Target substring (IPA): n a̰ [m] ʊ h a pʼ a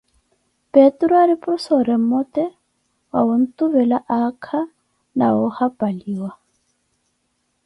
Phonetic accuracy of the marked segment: incorrect: none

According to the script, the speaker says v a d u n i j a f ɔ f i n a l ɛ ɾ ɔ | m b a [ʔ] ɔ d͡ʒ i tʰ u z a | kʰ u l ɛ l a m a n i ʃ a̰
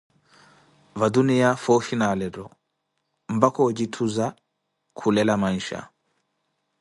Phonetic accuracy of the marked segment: incorrect: k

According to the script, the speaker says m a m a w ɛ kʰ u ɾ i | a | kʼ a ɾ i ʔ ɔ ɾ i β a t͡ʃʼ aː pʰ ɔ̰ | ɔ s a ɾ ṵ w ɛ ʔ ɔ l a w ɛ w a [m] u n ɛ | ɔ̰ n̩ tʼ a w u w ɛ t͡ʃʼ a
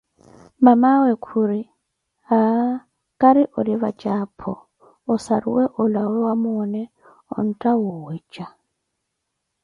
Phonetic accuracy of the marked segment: correct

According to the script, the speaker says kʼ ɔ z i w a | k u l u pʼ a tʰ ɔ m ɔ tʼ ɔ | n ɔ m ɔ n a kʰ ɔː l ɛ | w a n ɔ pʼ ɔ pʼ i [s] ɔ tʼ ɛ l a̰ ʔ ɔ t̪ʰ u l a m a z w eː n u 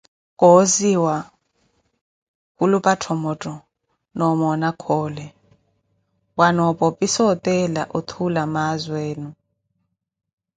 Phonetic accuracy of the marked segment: correct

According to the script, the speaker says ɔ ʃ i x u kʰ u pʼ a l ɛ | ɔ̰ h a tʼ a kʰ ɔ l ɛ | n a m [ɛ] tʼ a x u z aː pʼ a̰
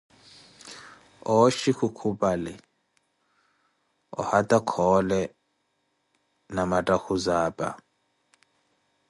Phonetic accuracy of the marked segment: incorrect: a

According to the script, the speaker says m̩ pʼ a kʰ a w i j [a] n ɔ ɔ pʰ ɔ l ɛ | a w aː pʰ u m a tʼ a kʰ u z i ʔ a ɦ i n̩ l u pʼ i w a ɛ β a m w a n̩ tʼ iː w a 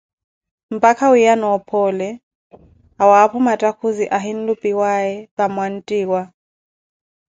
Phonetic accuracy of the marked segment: correct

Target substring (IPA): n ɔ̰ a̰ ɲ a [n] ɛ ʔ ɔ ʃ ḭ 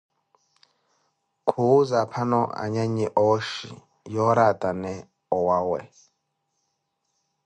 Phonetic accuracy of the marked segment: incorrect: ɲ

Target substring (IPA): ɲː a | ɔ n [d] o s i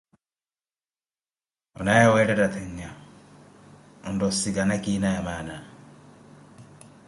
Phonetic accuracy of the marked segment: correct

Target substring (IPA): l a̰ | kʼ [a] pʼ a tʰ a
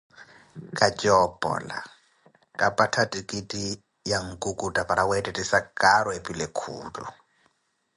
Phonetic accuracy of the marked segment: correct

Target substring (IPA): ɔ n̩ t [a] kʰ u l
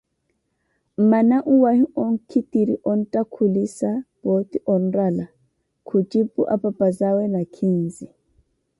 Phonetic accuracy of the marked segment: correct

